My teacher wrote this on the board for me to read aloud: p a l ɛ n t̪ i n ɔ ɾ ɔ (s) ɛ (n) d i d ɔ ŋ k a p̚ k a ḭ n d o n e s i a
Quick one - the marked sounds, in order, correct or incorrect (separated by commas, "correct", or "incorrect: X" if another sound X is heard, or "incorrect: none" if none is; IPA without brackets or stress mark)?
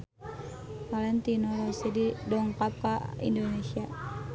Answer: correct, incorrect: none